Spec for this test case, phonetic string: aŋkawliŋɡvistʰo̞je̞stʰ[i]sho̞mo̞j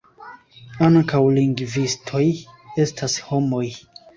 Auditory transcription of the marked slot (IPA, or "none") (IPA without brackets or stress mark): a